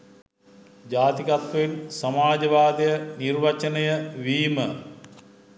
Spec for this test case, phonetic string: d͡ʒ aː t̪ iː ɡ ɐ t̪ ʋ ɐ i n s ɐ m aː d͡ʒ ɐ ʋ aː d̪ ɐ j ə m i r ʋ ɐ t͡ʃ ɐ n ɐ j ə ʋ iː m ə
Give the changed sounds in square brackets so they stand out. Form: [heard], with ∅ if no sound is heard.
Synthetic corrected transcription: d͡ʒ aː t̪ [i] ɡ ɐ t̪ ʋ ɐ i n s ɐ m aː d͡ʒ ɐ ʋ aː d̪ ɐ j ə [n] i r ʋ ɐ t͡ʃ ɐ n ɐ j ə ʋ iː m ə